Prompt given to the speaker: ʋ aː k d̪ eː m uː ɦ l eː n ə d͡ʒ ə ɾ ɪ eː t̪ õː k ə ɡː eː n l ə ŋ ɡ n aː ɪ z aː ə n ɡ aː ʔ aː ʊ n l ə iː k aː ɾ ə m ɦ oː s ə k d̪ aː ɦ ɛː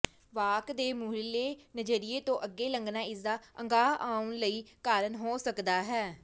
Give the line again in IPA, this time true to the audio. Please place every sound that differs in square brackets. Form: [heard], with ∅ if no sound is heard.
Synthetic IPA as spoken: ʋ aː k d̪ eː m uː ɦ l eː n ə d͡ʒ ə ɾ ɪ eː t̪ õː [ʔ] ə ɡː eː [∅] l ə ŋ ɡ n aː ɪ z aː ə [ŋ] ɡ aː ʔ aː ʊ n l ə iː k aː ɾ ə [n] ɦ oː s ə k d̪ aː ɦ ɛː